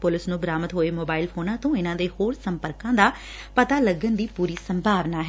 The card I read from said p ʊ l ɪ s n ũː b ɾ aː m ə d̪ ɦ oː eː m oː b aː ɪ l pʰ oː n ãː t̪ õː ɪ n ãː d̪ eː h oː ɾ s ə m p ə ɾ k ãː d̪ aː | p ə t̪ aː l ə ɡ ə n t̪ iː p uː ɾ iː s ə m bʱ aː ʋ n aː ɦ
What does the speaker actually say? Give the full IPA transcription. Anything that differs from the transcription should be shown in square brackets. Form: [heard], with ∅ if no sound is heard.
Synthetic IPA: p ʊ l ɪ s n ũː b ɾ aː m ə [t̪] ɦ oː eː m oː b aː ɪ l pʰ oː n ãː t̪ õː ɪ n ãː d̪ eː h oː ɾ s ə m p ə ɾ k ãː d̪ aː | p ə t̪ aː l ə ɡ ə n [d̪] iː p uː ɾ iː s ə m bʱ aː ʋ n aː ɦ

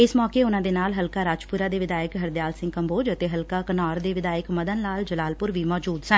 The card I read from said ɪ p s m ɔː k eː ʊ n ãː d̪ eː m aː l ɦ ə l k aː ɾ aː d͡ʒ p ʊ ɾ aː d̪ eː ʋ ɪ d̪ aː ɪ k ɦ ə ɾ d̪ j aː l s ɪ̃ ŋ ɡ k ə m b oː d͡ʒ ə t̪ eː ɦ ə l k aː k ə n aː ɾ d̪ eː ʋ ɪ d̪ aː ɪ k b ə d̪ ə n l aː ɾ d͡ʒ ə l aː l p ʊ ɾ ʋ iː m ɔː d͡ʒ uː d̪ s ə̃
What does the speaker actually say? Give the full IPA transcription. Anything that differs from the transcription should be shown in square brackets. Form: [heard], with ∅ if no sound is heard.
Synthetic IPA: ɪ [∅] s m ɔː k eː ʊ n ãː d̪ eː [n] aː l ɦ ə l k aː ɾ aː d͡ʒ p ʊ ɾ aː d̪ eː ʋ ɪ d̪ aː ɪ k ɦ ə ɾ d̪ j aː l s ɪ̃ ŋ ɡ k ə m b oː d͡ʒ ə t̪ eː ɦ ə l k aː k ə n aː ɾ d̪ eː ʋ ɪ d̪ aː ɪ k [m] ə d̪ ə n l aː [l] d͡ʒ ə l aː l p ʊ ɾ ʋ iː m ɔː d͡ʒ uː d̪ s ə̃

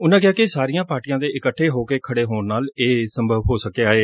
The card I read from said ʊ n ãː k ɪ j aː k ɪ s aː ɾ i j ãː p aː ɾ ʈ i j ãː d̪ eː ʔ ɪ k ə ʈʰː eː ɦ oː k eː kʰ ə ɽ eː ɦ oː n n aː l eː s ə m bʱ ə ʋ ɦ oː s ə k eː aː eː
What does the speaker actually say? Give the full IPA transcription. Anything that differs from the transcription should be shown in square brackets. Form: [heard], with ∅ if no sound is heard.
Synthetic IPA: ʊ n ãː k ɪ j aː k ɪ s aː ɾ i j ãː p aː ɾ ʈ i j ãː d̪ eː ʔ ɪ k ə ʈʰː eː ɦ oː k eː kʰ ə ɽ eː ɦ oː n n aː l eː s ə m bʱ ə ʋ ɦ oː s ə k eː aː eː

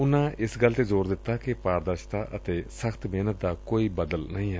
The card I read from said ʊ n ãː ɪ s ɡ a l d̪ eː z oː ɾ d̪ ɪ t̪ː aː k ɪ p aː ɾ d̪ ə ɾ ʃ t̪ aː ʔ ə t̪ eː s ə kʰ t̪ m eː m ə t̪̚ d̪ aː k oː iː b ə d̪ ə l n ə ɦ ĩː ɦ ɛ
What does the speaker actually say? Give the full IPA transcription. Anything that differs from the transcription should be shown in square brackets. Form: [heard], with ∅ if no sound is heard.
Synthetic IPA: ʊ n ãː ɪ s ɡ [ə] l [t̪] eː z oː ɾ d̪ ɪ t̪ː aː k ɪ p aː ɾ d̪ ə ɾ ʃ t̪ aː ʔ ə t̪ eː s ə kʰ t̪ m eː [n] ə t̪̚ d̪ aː k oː iː b ə d̪ ə l n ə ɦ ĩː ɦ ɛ

